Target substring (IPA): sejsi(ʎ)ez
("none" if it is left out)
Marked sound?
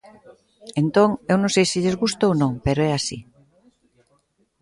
ʎ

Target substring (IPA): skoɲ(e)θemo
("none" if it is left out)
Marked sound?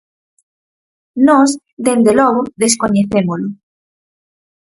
e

